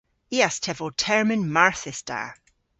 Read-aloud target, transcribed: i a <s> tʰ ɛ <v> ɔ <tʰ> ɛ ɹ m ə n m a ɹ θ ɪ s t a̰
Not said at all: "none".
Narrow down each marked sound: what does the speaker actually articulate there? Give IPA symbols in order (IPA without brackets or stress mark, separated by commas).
s, v, tʰ